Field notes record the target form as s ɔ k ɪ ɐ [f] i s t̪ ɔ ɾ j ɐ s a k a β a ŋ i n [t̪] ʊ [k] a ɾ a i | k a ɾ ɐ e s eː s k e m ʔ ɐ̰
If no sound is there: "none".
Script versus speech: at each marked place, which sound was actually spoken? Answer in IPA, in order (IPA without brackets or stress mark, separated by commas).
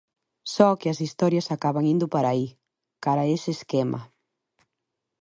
s, d̪, p